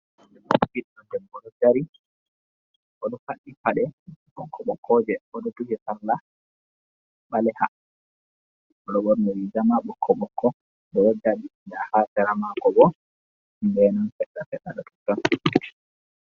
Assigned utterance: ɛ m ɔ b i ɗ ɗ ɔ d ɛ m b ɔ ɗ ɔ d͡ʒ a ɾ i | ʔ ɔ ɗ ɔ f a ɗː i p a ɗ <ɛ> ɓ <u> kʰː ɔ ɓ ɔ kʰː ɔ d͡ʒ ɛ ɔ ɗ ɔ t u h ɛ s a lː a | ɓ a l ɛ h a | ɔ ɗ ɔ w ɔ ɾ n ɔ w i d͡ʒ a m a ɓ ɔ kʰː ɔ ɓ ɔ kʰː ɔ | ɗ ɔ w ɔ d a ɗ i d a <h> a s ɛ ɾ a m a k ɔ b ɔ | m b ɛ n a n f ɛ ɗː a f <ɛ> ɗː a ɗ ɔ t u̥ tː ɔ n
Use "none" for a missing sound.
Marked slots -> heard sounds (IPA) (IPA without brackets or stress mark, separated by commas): ɛ, ɔ, h, ɛ